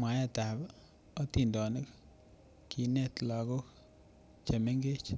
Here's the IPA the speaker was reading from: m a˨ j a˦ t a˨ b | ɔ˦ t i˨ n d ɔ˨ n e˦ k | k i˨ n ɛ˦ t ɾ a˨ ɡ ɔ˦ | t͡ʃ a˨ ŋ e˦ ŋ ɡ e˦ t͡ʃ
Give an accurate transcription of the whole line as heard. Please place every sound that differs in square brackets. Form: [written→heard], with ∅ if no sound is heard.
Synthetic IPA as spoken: m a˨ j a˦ t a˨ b | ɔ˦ t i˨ n d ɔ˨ n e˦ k | k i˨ n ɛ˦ t [ɾ→l] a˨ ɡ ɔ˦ | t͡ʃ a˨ [ŋ→m] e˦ ŋ ɡ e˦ t͡ʃ